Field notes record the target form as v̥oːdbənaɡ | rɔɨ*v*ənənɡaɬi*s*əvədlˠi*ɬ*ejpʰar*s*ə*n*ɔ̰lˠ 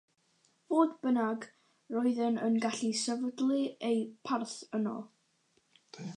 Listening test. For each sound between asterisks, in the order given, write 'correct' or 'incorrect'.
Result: incorrect: ð, correct, incorrect: none, incorrect: θ, correct

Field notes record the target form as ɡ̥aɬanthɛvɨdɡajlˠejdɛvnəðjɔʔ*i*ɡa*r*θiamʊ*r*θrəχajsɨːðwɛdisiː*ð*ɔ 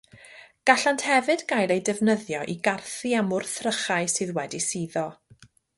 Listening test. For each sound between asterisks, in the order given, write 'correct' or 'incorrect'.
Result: correct, correct, correct, correct

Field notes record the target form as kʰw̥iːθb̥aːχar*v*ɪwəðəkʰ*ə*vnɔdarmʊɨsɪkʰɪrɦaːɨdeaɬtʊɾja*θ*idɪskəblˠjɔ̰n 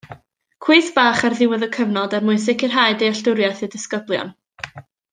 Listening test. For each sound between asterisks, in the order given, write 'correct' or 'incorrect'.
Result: incorrect: ð, correct, correct

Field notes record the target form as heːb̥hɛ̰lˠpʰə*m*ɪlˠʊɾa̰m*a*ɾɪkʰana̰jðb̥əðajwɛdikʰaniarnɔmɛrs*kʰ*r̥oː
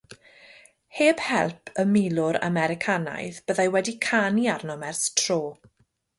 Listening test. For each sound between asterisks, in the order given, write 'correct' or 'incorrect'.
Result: correct, incorrect: ɛ, incorrect: tʰ

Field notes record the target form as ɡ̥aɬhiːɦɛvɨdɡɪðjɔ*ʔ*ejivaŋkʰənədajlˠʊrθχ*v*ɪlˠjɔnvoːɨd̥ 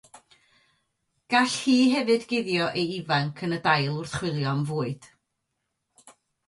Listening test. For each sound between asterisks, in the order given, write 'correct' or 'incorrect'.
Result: correct, incorrect: w

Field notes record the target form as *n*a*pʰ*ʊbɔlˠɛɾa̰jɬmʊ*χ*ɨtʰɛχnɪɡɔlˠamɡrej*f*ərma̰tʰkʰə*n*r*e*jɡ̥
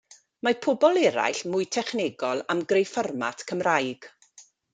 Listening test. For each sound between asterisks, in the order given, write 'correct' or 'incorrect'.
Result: incorrect: m, correct, incorrect: none, correct, incorrect: m, incorrect: a

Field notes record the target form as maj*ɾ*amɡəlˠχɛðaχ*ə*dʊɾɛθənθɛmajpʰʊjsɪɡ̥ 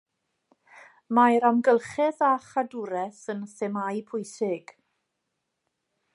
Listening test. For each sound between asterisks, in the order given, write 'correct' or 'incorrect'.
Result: correct, incorrect: a

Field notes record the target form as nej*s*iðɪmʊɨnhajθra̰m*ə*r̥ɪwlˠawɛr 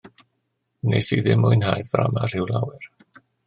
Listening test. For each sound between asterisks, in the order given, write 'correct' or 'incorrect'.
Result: correct, incorrect: a

